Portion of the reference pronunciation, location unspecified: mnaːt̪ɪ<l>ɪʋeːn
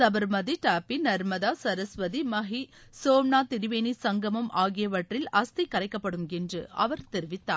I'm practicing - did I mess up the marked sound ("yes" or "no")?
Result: yes